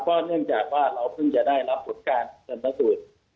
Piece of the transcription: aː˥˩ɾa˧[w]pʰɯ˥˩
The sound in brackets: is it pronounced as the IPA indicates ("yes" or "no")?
yes